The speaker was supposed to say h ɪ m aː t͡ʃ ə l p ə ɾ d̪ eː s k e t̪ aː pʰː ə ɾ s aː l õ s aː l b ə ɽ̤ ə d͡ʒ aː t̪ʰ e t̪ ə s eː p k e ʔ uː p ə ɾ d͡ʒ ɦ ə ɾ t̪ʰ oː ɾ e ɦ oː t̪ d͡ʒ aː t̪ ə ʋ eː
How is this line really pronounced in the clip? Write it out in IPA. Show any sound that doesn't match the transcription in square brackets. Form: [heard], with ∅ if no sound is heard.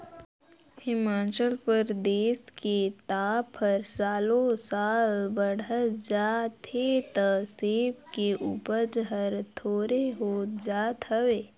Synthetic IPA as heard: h ɪ m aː t͡ʃ ə l p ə ɾ d̪ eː s k e t̪ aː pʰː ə ɾ s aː l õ s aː l b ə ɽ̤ ə d͡ʒ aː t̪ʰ e t̪ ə s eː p k e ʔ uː p ə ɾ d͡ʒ ɦ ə ɾ t̪ʰ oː ɾ e ɦ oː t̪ d͡ʒ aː t̪ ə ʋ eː

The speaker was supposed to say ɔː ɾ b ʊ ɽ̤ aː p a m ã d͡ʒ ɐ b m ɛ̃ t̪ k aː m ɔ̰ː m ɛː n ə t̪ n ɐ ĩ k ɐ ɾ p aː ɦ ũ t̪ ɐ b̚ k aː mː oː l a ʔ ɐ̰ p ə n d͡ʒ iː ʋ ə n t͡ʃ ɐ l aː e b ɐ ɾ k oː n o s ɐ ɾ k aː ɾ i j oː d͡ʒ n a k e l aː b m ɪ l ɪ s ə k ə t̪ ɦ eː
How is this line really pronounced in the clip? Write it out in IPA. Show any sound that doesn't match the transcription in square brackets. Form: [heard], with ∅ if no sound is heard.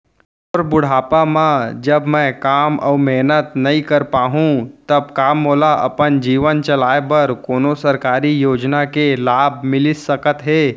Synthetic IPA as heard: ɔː ɾ b ʊ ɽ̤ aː p a m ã d͡ʒ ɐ b m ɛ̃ [∅] k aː m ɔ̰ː m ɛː n ə t̪ n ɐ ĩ k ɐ ɾ p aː ɦ ũ t̪ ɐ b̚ k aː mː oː l a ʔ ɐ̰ p ə n d͡ʒ iː ʋ ə n t͡ʃ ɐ l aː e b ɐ ɾ k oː n o s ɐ ɾ k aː ɾ i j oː d͡ʒ n a k e l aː b m ɪ l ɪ s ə k ə t̪ ɦ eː

